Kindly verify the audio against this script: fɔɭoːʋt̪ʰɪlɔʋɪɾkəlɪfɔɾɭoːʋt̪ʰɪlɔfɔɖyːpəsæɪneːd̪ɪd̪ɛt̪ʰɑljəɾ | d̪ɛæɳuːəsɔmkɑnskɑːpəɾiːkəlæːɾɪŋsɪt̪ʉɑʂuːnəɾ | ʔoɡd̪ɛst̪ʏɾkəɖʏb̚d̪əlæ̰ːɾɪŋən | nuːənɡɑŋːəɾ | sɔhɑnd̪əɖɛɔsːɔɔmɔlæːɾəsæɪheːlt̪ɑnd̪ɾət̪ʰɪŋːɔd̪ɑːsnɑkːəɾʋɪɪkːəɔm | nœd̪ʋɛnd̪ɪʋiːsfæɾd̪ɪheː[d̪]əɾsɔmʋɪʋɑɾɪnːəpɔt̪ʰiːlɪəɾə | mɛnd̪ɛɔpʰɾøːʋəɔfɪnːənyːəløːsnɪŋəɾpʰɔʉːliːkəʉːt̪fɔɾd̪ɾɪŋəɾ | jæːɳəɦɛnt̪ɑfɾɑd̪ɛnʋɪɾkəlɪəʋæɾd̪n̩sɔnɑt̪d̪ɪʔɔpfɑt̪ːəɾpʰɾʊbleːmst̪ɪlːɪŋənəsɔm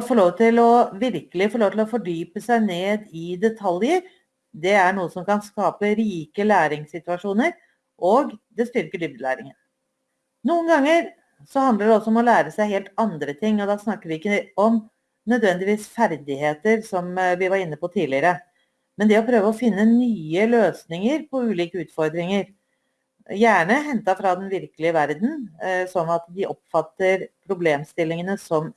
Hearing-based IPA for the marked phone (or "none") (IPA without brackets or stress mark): t̪